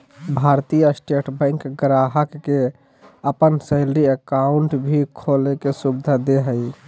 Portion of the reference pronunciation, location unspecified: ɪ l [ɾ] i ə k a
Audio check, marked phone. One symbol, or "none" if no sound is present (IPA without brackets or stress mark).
ɾ